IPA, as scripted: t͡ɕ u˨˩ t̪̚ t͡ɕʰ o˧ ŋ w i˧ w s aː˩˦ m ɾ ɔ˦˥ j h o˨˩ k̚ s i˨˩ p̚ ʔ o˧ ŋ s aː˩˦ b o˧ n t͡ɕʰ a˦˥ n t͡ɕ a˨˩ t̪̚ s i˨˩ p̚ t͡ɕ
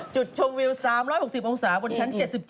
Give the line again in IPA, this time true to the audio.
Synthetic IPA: t͡ɕ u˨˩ t̪̚ t͡ɕʰ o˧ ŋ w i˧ w s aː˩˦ m ɾ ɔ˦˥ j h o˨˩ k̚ s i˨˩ p̚ ʔ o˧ ŋ s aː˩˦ b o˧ n t͡ɕʰ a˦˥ n t͡ɕ e˨˩ t̪̚ s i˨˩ p̚ t͡ɕ